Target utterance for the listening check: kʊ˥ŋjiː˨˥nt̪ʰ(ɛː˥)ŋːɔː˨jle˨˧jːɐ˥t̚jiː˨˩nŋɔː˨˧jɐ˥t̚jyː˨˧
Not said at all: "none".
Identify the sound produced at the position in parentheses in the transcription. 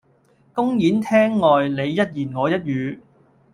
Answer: ɛː˥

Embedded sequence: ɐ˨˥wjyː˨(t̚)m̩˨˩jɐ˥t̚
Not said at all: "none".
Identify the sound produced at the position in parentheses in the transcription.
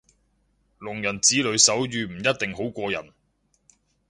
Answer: none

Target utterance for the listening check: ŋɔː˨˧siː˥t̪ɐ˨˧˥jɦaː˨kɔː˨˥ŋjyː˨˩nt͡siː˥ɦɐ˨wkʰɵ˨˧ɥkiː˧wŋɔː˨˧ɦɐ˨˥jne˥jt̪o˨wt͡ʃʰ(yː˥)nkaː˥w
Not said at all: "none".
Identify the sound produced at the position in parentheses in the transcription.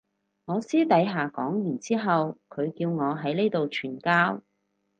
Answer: yː˨˩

